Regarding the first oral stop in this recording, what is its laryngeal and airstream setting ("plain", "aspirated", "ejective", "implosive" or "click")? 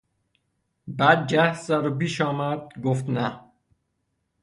plain